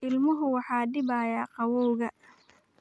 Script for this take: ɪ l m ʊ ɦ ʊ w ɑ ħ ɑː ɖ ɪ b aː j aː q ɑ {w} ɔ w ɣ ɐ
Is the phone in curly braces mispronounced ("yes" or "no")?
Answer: no